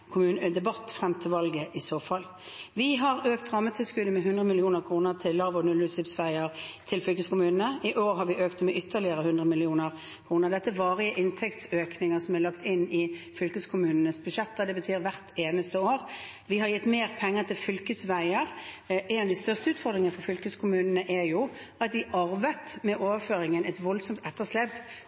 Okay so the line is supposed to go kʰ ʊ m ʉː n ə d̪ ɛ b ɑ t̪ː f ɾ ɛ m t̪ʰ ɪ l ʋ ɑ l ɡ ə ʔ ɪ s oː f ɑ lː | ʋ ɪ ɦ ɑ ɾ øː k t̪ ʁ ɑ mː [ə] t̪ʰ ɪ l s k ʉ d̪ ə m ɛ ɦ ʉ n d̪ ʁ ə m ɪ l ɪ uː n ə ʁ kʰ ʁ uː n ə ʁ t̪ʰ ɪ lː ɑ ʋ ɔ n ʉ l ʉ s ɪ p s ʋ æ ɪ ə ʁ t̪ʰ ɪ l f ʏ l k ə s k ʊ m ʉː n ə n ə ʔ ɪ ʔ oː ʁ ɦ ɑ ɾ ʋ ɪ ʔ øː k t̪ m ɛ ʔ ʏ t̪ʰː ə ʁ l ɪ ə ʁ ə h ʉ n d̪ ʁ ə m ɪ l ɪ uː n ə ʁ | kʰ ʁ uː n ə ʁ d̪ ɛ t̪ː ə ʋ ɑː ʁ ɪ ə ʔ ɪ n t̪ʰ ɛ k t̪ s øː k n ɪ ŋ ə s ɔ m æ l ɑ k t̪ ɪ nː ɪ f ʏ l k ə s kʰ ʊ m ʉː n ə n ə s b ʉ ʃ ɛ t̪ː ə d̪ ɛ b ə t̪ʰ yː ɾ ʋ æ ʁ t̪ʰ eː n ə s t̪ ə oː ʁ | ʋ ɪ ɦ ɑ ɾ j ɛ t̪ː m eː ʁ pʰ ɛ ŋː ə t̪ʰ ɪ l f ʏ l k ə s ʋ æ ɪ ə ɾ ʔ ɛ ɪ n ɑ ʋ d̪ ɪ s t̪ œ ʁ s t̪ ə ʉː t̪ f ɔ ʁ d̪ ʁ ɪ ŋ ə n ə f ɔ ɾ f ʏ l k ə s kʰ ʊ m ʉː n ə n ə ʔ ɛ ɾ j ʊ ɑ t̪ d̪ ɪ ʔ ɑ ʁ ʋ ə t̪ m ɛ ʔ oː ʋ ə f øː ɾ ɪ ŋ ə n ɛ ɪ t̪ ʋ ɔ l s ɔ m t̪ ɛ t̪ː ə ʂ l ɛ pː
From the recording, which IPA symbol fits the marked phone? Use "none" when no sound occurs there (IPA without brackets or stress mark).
ə